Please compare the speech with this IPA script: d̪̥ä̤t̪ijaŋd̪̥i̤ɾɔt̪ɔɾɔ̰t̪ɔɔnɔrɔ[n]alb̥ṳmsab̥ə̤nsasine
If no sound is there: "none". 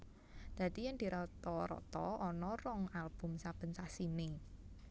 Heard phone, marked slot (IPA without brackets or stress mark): ŋ